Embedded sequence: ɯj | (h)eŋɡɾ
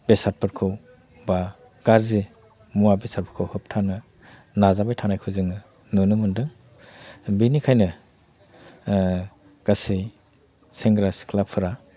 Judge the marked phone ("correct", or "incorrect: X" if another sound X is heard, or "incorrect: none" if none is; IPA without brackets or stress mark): incorrect: s